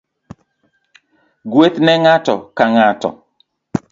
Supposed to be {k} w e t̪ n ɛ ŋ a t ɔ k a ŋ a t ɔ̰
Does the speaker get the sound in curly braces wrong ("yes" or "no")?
yes